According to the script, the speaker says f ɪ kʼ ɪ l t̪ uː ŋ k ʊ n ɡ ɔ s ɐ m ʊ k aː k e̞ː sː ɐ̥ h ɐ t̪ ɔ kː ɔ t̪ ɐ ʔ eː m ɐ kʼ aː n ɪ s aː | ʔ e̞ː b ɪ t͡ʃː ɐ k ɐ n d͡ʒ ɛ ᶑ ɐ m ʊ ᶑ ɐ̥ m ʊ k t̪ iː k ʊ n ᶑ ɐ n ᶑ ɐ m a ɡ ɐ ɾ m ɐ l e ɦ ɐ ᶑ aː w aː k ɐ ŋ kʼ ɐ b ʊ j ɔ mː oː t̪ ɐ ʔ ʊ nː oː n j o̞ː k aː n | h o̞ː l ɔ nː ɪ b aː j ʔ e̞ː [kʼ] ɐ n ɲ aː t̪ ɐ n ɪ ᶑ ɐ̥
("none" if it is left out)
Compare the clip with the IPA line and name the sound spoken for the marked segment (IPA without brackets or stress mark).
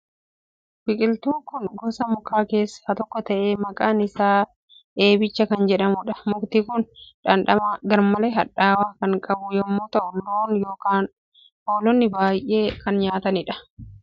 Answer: k